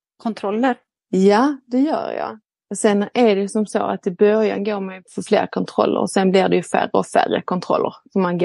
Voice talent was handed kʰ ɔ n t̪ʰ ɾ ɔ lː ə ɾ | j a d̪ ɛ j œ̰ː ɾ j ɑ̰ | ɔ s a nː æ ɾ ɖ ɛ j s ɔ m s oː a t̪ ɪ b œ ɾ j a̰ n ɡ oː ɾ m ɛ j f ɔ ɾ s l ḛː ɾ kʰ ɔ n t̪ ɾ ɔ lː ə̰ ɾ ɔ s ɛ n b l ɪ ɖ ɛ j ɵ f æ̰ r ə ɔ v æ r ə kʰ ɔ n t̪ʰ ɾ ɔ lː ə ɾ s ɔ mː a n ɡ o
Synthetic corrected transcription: kʰ ɔ n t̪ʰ ɾ ɔ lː ə ɾ | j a d̪ ɛ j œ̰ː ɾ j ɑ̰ | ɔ s ɛ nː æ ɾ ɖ ɛ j s ɔ m s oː a t̪ ɪ b œ ɾ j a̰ n ɡ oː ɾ m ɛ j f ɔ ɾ f l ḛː ɾ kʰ ɔ n t̪ʰ ɾ ɔ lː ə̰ ɾ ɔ s ɛ n b l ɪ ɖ ɛ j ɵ f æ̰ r ə ɔ f æ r ə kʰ ɔ n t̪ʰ ɾ ɔ lː ə ɾ s ɔ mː a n ɡ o